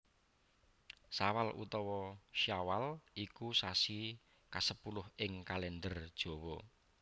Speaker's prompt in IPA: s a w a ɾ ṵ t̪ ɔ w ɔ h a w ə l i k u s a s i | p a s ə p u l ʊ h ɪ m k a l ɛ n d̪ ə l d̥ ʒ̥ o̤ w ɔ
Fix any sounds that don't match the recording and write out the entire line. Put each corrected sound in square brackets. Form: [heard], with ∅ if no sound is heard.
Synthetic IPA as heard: s a w a [l] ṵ t̪ ɔ w ɔ [ʃ] a w [a] l i k u s a s i | [k] a s ə p u l ʊ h ɪ [ŋ] k a l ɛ n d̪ ə [r] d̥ ʒ̥ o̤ w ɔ